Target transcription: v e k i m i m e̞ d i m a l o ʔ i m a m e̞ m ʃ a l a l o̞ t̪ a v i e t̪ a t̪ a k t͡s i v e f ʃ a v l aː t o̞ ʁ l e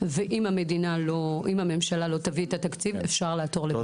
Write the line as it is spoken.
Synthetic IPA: v e ʔ i m a m e̞ d i n a l o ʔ i m a m e̞ m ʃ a l a l o̞ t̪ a v i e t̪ a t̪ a k t͡s i v e f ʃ a ʁ l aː t o̞ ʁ l e